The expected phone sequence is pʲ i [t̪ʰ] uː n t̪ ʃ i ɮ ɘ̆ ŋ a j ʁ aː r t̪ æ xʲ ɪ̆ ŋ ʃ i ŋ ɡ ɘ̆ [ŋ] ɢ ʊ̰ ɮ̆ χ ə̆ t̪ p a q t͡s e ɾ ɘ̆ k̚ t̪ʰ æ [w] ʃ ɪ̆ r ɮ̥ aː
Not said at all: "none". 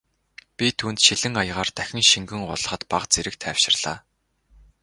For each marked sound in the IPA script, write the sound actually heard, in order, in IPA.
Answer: t̪ʰ, ŋ, w

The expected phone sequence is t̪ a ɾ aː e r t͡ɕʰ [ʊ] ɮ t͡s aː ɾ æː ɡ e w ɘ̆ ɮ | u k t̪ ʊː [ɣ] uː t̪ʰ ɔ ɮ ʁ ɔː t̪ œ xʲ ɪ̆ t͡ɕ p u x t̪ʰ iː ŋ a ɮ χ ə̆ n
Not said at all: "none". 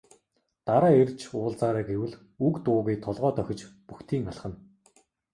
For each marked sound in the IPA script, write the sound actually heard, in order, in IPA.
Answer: ʊː, ɣ

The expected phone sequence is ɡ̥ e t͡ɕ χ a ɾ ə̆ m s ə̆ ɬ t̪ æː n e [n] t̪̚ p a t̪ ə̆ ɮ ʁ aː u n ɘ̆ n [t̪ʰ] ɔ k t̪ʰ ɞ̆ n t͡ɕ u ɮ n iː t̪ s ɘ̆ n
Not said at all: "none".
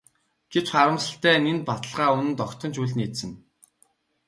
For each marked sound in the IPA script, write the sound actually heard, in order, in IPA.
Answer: n, t̪

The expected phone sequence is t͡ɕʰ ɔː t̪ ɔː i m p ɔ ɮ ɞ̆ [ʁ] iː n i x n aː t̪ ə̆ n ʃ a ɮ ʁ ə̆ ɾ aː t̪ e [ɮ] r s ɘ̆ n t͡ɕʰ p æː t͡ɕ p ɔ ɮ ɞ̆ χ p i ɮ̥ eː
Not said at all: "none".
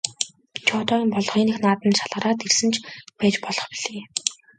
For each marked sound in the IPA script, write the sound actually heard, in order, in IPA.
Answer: χ, none

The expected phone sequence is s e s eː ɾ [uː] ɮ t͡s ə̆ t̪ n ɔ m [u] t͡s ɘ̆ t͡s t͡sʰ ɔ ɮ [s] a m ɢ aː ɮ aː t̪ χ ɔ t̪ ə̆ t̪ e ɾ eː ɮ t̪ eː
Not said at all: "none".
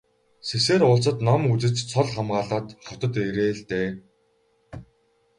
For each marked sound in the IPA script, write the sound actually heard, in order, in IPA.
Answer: ʊː, u, χ

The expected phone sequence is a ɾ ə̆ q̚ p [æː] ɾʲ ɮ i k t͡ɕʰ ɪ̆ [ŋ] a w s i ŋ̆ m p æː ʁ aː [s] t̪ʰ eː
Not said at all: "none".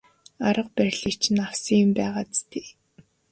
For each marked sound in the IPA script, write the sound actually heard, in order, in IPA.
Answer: æ, n, t͡s

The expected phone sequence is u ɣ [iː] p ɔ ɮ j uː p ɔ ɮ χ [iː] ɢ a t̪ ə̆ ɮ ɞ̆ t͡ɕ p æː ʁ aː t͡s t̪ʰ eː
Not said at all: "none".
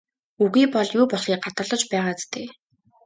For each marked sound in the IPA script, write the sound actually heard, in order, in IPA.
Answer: iː, iː

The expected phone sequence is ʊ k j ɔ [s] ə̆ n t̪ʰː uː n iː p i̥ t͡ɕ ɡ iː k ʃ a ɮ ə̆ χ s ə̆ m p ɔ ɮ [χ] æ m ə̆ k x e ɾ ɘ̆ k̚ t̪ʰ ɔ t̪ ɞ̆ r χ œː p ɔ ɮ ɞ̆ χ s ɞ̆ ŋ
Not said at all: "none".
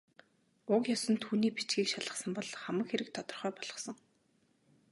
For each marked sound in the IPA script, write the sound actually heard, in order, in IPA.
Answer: s, χ

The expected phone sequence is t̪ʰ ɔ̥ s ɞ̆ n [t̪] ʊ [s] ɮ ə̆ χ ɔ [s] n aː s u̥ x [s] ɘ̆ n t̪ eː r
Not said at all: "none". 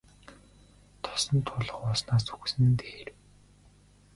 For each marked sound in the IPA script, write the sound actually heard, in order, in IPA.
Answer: t̪ʰ, none, s, s

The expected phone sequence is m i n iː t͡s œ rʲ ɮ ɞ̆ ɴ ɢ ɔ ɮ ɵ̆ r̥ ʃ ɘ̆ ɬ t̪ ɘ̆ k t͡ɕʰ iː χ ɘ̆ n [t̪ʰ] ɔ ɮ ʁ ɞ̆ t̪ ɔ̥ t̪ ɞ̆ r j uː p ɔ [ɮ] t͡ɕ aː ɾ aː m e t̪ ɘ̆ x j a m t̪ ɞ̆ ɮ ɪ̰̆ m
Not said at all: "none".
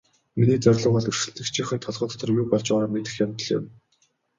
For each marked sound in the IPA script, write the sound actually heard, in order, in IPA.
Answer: t̪ʰ, ɮ

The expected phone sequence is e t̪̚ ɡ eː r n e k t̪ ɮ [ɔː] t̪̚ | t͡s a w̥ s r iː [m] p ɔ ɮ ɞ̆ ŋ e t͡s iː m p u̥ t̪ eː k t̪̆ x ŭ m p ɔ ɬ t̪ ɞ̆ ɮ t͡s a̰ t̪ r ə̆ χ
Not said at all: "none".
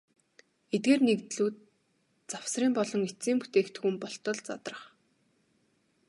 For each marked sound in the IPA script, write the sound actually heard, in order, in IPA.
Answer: uː, m

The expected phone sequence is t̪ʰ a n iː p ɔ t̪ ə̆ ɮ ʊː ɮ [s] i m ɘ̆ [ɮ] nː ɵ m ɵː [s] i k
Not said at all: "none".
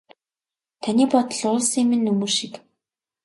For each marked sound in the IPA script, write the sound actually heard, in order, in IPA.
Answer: s, none, ʃ

